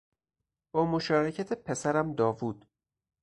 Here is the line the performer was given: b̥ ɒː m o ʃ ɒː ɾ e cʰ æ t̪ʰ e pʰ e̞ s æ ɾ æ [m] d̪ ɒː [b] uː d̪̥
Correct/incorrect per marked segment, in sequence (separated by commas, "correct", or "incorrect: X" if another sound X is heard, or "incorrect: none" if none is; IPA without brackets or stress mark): correct, incorrect: v